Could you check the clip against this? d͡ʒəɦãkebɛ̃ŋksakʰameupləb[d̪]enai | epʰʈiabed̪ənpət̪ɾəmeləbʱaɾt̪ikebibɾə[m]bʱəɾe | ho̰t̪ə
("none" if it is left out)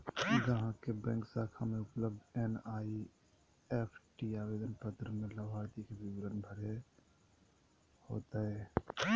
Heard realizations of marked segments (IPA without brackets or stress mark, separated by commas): d̪, n